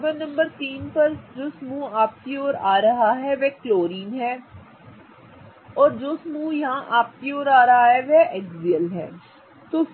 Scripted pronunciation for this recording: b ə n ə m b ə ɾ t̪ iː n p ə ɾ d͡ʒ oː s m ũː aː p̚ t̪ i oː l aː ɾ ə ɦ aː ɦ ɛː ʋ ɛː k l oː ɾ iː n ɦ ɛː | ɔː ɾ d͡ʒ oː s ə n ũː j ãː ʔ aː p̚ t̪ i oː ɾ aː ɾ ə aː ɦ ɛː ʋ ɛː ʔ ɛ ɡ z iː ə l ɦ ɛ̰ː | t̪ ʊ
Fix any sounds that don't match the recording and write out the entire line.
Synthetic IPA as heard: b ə n ə m b ə ɾ t̪ iː n p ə ɾ d͡ʒ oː s m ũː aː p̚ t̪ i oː ɾ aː ɾ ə ɦ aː ɦ ɛː ʋ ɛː k l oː ɾ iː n ɦ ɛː | ɔː ɾ d͡ʒ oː s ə m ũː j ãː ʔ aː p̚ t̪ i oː ɾ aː ɾ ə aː ɦ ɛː ʋ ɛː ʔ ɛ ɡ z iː ə l ɦ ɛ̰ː | t̪ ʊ